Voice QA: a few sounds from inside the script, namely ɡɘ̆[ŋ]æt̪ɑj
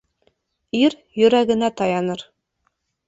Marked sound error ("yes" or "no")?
yes